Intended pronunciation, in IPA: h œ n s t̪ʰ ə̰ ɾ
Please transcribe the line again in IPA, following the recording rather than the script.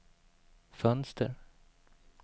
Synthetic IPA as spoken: f œ n s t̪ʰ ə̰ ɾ